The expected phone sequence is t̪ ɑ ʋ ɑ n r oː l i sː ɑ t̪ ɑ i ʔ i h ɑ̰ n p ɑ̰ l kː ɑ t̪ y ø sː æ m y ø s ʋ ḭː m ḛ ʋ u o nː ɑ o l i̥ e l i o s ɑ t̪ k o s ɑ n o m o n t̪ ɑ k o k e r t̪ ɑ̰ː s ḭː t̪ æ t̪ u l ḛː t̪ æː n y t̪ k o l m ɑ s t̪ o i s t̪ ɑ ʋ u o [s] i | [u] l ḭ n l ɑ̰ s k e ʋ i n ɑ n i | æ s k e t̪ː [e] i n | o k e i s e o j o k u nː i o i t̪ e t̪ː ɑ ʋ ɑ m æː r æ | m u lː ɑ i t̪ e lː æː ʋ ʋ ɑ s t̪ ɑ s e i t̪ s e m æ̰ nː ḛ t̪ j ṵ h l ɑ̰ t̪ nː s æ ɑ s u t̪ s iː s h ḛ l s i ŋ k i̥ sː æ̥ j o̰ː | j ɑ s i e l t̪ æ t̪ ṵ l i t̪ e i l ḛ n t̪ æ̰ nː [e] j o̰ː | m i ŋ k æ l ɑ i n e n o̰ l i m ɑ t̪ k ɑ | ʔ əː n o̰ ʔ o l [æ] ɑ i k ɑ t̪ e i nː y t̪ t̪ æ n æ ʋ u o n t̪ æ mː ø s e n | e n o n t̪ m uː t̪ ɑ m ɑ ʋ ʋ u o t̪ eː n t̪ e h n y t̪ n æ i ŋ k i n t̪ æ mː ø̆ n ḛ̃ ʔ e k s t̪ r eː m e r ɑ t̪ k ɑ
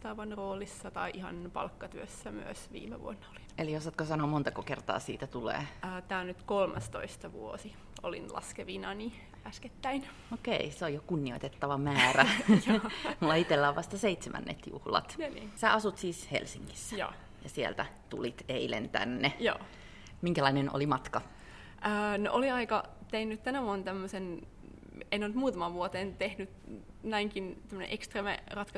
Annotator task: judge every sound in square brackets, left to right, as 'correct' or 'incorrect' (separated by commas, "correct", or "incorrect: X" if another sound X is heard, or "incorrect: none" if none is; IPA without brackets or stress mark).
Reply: correct, incorrect: o, incorrect: æ, correct, incorrect: i